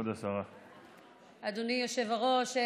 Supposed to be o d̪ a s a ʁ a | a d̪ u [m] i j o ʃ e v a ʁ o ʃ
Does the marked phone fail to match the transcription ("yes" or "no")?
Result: yes